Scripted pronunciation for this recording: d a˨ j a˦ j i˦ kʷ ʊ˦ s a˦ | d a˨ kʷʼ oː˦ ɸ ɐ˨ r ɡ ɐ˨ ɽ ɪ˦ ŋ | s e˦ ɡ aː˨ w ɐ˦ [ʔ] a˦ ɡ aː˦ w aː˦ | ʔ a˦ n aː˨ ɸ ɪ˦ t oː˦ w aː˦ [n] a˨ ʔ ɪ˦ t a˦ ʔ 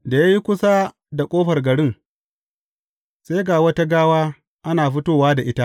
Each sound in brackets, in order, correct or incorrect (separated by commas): incorrect, incorrect